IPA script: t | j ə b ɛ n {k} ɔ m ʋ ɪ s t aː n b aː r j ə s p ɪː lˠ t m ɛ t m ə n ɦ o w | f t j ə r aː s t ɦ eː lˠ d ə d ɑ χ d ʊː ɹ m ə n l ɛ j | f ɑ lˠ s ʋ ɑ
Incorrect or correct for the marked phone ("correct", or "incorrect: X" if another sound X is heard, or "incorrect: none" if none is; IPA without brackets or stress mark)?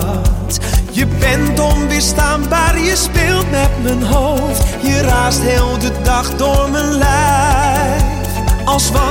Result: incorrect: t